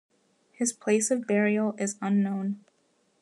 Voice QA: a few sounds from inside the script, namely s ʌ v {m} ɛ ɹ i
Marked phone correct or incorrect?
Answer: incorrect